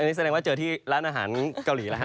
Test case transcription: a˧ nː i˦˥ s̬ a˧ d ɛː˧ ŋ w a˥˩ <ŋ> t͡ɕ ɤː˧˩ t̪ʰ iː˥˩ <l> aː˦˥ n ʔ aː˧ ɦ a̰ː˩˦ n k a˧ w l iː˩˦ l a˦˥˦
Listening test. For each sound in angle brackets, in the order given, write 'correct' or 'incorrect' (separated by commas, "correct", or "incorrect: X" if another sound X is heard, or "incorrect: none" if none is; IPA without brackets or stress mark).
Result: incorrect: none, incorrect: ɾ